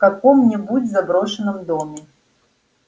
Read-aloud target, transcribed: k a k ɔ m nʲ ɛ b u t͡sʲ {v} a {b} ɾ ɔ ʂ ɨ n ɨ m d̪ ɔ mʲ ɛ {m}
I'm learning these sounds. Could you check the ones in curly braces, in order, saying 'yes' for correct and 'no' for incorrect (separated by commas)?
no, yes, no